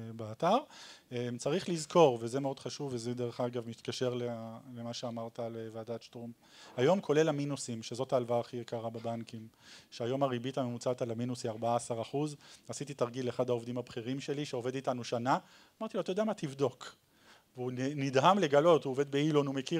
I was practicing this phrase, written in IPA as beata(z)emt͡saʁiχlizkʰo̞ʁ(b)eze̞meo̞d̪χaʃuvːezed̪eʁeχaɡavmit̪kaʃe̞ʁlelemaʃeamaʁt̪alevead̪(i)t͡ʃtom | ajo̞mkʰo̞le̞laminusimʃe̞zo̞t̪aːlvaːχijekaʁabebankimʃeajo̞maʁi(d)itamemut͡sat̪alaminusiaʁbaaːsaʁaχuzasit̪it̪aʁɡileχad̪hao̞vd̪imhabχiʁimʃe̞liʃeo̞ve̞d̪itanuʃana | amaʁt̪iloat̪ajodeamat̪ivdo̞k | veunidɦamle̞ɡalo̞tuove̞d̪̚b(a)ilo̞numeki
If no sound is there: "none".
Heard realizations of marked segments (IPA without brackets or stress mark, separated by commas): ʁ, v, a, b, e